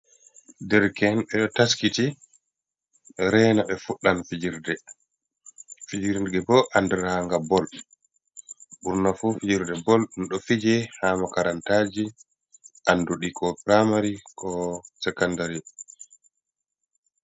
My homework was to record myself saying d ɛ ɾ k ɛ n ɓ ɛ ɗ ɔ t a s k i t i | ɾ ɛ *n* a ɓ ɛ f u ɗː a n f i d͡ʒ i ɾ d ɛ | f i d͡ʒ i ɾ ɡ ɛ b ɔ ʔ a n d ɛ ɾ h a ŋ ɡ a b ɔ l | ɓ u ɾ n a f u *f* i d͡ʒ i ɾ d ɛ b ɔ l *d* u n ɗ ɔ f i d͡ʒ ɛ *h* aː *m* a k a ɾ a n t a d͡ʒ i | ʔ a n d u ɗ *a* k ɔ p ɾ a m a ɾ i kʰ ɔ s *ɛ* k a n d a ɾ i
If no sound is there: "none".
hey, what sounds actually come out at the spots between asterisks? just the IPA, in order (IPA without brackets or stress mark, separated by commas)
n, f, ɗ, h, m, i, ɛ